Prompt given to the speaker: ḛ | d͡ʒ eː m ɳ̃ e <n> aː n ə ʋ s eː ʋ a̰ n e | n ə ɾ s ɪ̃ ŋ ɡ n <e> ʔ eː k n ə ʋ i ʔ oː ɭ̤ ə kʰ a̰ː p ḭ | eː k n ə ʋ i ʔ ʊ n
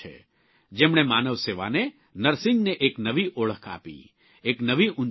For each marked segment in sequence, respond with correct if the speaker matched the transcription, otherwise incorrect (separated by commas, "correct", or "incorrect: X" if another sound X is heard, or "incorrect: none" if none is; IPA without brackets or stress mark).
incorrect: m, correct